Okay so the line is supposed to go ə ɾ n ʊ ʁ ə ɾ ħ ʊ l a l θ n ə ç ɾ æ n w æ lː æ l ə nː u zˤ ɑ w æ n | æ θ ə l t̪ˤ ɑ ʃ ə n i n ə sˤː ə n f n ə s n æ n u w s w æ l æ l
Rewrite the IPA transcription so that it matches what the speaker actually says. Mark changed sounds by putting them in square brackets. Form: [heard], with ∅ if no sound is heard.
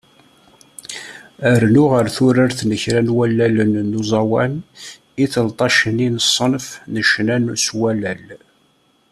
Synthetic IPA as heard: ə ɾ n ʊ ʁ ə ɾ [θ] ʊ [ɾ] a [ɾ] θ n ə ç ɾ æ n w æ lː æ l ə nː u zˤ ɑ w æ n | [i] θ ə l t̪ˤ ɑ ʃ ə n i n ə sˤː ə n f n ə [ʃ] n æ n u [∅] s w æ l æ l